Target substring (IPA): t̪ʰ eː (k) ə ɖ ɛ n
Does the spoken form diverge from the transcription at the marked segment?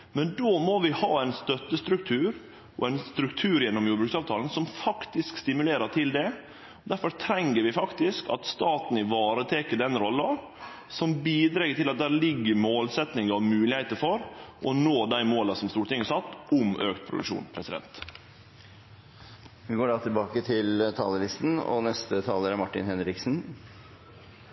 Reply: no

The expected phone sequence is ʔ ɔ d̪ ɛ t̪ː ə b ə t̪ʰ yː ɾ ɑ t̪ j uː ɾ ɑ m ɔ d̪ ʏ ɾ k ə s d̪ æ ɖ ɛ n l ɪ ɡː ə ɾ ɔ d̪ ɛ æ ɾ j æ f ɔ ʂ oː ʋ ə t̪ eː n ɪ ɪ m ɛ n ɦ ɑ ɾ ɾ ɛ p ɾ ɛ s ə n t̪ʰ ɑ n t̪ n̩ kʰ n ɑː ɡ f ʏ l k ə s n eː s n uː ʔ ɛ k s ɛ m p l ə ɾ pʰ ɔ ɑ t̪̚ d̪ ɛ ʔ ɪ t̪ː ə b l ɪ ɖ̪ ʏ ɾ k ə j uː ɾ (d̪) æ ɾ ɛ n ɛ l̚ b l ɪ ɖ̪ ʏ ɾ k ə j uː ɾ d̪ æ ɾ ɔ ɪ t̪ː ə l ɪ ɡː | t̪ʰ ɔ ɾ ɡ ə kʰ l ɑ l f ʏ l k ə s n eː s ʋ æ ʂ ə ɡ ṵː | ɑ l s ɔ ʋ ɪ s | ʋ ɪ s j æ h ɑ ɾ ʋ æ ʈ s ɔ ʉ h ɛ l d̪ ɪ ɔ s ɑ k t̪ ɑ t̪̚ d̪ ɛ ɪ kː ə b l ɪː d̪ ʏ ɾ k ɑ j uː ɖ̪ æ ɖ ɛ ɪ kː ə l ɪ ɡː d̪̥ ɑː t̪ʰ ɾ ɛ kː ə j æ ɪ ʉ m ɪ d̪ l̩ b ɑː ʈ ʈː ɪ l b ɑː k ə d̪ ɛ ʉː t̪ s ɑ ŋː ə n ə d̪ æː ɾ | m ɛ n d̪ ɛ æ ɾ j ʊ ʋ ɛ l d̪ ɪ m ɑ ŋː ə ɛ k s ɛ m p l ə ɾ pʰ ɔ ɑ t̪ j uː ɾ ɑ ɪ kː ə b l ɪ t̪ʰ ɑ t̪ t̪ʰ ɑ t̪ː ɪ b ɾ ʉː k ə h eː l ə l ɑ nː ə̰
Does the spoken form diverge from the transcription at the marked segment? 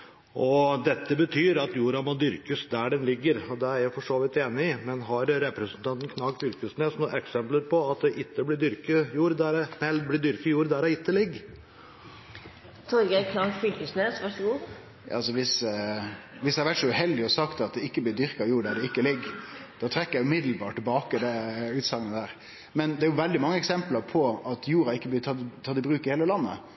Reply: no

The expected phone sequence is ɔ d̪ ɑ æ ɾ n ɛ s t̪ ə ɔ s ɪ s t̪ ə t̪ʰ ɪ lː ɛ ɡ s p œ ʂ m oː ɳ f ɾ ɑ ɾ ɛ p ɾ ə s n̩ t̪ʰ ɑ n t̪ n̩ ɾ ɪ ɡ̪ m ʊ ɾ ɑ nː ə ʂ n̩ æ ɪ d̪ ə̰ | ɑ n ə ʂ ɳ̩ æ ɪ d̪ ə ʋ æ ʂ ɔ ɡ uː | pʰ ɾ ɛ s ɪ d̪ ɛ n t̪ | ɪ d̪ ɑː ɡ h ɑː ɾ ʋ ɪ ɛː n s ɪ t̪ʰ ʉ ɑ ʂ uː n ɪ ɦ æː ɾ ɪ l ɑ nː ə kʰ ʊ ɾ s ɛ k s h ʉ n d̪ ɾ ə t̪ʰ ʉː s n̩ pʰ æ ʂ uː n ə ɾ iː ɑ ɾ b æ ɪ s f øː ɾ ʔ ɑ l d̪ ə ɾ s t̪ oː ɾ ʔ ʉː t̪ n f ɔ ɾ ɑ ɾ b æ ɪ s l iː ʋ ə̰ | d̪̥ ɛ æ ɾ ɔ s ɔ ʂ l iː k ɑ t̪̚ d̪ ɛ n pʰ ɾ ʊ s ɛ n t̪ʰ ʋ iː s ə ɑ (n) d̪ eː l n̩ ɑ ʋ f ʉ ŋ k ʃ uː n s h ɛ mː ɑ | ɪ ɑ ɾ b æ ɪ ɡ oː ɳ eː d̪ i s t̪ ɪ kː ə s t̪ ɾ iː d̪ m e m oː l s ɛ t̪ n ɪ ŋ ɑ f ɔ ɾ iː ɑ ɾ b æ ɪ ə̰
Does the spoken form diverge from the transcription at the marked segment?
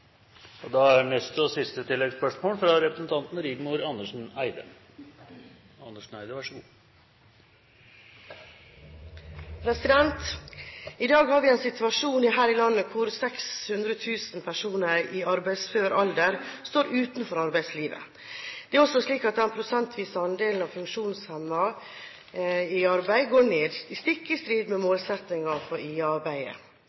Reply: no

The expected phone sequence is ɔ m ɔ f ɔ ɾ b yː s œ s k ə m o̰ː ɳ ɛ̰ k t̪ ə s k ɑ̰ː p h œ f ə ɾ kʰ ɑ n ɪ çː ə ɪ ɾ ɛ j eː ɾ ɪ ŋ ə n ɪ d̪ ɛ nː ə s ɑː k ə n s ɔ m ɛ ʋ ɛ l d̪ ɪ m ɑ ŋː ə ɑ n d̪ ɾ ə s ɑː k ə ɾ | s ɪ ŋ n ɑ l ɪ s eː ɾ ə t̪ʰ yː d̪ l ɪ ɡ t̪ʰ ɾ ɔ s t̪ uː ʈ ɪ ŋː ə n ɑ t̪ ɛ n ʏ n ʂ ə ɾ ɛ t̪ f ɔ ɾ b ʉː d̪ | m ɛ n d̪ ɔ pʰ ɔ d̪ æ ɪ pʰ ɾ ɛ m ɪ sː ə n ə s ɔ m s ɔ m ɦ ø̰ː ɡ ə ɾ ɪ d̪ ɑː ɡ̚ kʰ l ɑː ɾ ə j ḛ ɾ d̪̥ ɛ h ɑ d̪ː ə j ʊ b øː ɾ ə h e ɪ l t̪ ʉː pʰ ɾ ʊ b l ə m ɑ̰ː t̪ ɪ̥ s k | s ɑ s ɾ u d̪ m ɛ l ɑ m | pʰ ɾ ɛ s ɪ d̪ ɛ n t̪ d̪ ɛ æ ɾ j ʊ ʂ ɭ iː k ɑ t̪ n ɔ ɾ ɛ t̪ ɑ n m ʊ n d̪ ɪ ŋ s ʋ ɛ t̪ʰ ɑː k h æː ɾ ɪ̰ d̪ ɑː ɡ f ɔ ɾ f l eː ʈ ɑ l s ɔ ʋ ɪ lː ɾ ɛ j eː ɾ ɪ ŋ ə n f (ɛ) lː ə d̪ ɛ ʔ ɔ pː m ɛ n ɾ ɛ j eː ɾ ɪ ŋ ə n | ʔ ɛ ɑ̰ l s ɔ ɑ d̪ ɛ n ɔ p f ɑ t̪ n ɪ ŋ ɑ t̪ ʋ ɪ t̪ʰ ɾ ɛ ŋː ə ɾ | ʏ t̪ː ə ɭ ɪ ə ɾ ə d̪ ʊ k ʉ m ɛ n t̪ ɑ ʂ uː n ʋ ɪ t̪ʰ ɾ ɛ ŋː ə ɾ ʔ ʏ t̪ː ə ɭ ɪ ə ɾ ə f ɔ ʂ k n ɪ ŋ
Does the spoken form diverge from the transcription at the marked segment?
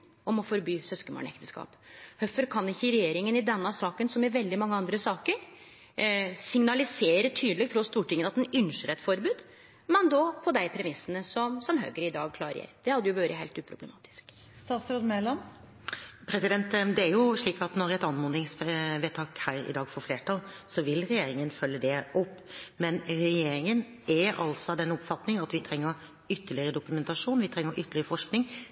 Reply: yes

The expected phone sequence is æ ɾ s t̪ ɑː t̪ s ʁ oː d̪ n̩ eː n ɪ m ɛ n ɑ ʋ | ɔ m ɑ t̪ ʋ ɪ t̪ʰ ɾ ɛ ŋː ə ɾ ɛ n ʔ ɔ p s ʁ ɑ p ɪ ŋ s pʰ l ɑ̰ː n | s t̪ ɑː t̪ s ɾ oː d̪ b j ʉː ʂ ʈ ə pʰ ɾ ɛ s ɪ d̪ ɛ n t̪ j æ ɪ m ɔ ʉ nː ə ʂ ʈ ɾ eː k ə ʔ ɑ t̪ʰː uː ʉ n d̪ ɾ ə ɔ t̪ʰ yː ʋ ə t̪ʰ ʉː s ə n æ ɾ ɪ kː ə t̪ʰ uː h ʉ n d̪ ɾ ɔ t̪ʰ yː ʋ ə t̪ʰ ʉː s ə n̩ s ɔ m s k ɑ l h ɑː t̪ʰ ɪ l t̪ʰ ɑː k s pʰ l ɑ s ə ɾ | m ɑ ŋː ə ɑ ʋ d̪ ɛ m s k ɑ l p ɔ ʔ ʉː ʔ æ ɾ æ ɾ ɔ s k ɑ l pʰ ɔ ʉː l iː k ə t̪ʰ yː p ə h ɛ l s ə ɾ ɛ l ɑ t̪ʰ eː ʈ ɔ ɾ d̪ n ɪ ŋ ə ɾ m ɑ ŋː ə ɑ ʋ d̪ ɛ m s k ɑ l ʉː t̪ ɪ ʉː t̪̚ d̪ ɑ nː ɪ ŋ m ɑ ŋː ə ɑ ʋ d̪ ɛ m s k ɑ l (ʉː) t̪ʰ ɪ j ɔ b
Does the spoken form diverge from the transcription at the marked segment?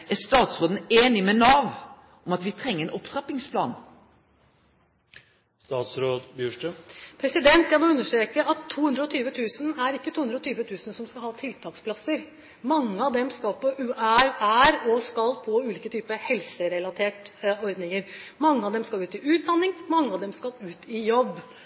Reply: no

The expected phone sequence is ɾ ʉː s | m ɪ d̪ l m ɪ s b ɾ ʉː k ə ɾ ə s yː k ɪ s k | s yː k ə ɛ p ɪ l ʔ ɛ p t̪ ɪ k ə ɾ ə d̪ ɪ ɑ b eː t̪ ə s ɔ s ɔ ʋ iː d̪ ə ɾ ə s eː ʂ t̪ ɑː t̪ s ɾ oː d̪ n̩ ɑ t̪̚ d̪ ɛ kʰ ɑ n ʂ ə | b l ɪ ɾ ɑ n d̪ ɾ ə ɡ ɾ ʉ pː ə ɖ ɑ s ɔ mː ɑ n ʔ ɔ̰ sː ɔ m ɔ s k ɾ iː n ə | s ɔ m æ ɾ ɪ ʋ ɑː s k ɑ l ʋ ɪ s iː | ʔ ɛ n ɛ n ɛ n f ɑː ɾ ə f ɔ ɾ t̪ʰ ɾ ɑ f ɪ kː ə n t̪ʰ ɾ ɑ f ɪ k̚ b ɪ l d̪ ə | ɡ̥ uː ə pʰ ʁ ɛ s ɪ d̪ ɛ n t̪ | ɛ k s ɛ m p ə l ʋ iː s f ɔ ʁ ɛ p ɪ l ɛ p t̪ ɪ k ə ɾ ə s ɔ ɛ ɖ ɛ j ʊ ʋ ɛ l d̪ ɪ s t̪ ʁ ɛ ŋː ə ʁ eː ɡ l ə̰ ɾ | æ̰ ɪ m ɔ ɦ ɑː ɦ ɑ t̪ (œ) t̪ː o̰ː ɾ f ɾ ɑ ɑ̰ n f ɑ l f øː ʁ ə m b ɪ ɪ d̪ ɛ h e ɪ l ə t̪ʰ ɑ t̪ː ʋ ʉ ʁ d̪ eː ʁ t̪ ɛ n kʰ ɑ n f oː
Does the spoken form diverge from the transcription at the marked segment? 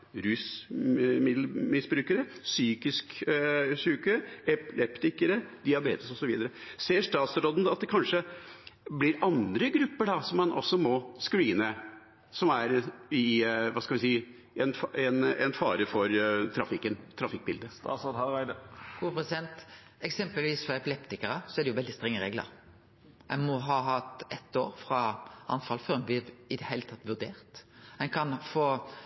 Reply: yes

